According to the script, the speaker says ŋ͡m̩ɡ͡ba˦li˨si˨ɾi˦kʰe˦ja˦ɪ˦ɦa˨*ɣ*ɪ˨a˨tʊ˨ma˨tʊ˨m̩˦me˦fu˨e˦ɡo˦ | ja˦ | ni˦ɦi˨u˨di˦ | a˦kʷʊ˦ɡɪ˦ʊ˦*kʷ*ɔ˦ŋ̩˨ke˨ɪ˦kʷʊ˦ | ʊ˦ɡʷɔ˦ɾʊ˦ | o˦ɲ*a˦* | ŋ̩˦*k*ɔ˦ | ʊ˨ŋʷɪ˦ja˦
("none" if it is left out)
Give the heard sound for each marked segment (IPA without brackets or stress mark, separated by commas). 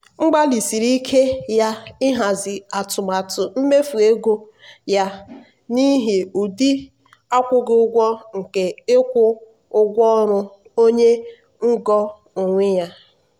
z, ɡʷ, e˦, ɡ